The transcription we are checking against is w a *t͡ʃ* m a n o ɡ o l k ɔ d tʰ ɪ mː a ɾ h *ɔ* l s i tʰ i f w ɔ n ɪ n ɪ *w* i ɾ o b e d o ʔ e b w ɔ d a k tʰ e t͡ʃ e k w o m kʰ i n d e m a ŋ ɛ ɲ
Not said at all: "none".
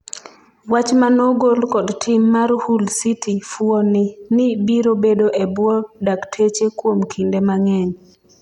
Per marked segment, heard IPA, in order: t͡ʃ, u, b

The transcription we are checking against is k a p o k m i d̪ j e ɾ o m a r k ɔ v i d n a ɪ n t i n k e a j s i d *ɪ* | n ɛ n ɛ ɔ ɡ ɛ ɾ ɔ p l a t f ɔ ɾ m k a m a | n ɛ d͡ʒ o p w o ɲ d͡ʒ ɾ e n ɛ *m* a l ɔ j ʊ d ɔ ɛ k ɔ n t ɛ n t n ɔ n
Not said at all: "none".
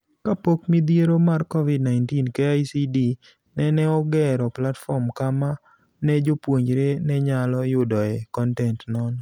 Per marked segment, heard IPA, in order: i, ɲ

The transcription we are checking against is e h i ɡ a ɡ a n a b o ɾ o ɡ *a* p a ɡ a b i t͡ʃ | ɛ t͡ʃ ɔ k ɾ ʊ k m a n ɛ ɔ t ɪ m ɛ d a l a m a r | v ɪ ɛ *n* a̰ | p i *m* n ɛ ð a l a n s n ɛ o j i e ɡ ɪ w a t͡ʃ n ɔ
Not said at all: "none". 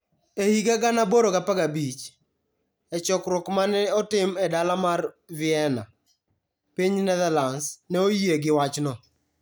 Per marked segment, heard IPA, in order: a, n, ɲ

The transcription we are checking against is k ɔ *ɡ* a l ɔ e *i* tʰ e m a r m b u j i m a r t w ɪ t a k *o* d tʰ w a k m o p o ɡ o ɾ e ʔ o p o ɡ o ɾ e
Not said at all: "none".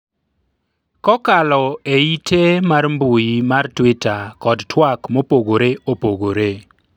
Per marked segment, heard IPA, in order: k, i, ɔ

